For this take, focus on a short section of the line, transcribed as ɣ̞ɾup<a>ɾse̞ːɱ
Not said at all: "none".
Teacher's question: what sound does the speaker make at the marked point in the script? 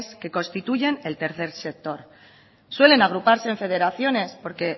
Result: a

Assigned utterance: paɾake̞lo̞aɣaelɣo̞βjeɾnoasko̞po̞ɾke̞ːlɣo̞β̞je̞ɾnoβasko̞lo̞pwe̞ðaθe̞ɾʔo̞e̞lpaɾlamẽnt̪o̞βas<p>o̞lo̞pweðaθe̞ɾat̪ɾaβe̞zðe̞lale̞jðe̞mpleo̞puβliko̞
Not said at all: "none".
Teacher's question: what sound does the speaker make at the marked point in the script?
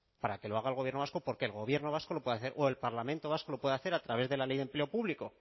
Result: k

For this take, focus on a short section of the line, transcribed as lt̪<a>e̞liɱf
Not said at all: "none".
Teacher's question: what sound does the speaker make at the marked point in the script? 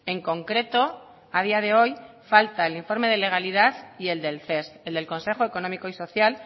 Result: a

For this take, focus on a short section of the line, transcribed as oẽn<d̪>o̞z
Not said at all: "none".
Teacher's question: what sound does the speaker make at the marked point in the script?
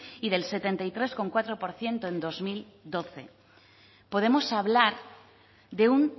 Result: d̪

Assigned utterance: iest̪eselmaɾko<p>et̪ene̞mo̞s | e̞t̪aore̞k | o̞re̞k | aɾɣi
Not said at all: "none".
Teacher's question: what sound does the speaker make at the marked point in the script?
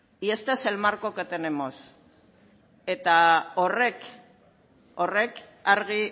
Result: k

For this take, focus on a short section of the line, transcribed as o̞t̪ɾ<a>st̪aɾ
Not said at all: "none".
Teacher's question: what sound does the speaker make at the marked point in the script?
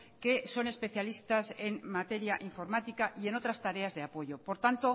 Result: a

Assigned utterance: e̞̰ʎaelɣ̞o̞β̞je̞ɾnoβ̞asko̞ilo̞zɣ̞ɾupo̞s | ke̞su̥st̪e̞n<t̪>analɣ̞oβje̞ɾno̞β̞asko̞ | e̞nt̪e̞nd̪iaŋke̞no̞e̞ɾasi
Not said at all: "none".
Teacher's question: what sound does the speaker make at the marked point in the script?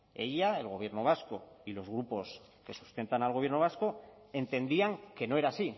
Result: t̪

